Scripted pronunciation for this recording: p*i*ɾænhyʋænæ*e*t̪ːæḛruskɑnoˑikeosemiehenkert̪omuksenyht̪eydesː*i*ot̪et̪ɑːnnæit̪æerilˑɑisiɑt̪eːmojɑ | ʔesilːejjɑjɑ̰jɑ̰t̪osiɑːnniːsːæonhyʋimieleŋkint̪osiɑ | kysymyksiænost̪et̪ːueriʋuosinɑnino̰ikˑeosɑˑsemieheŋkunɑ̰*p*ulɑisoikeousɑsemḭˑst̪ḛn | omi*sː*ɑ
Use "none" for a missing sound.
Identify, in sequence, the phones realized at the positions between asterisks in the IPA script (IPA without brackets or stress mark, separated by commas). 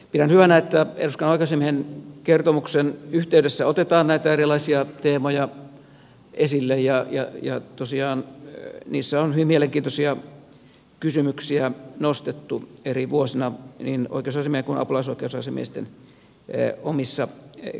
i, e, æ, p, sː